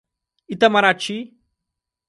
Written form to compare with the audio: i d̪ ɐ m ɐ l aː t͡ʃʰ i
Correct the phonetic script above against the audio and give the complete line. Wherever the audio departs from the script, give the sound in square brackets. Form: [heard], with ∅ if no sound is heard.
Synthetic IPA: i [t̪] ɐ m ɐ [ɾ] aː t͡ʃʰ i